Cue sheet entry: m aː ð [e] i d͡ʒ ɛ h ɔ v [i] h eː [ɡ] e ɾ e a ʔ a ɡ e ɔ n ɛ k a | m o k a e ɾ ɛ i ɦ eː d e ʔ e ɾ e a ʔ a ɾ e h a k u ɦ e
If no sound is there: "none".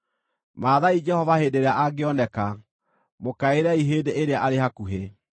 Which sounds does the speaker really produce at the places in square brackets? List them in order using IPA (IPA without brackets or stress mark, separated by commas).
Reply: a, a, d